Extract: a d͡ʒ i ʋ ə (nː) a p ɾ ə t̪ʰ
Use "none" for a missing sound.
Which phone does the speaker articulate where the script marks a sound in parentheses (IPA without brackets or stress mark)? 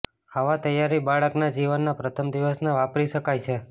nː